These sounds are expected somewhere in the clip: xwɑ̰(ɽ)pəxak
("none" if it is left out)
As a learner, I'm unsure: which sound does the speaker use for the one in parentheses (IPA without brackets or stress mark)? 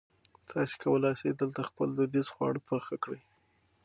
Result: ɽ